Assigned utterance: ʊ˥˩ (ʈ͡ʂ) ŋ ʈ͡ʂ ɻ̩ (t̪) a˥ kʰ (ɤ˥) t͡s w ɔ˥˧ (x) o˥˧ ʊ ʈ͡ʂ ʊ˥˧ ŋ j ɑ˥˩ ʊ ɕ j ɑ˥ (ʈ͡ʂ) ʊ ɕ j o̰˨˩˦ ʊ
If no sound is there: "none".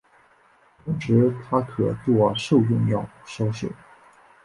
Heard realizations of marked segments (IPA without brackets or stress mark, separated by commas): none, t̪ʰ, ɤ˨˩, ʂ, none